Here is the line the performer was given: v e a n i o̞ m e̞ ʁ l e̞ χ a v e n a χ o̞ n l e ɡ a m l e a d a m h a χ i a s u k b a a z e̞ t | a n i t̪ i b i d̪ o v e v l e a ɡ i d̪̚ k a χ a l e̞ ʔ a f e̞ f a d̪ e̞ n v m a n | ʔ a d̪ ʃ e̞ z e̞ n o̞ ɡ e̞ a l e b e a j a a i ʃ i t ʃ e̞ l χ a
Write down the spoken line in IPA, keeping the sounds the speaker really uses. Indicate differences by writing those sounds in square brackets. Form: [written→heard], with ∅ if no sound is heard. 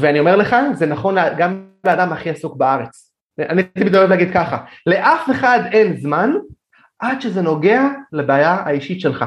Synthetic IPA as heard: v e a n i o̞ m e̞ ʁ l e̞ χ a [v→z] e n a χ o̞ n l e ɡ a m l e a d a m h a χ i a s u k b a a [z→ʁ] e̞ [t→t͡s] | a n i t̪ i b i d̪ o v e v l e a ɡ i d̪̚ k a χ a l e̞ ʔ a f e̞ [f→χ] a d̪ e̞ n [v→z] m a n | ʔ a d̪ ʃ e̞ z e̞ n o̞ ɡ e̞ a l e b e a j a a i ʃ i t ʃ e̞ l χ a